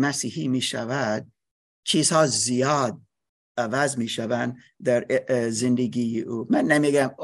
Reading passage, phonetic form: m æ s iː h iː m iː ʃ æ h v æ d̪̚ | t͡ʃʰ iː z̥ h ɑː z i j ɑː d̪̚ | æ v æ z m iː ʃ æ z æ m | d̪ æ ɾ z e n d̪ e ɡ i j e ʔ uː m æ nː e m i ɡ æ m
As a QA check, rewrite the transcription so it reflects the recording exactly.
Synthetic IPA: m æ s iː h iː m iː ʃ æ v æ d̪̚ | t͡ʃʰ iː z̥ h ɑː z i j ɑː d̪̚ | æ v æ z m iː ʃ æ v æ n | d̪ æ ɾ z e n d̪ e ɡ i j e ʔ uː m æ nː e m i ɡ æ m